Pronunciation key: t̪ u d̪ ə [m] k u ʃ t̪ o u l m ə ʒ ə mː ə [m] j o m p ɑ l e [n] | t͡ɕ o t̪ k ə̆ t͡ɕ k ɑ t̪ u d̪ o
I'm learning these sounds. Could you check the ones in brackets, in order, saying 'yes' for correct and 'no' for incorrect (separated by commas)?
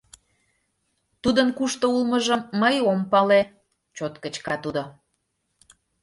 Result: no, no, no